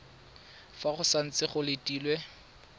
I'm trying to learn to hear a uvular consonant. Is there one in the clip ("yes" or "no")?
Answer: yes